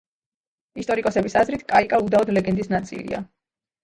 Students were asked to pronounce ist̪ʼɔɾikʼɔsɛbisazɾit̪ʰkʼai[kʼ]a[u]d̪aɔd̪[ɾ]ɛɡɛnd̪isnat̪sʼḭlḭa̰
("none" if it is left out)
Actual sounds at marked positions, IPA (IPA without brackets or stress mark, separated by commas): kʼ, u, l